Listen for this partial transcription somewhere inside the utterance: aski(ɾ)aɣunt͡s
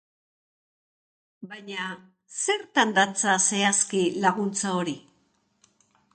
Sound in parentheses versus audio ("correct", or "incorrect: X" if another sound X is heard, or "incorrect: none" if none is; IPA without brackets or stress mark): incorrect: l